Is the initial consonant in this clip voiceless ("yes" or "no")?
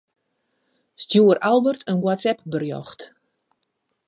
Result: yes